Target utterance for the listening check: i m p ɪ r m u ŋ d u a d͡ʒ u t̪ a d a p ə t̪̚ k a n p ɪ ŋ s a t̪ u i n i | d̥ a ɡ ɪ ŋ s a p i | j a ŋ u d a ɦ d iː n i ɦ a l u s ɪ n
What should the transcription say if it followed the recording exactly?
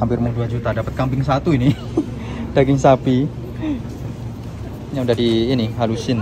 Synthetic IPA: a m p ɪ r m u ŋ d u a d͡ʒ u t̪ a d a p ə t̪̚ k a m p ɪ ŋ s a t̪ u i n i | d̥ a ɡ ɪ ŋ s a p i | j a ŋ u d a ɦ d iː n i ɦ a l u s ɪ n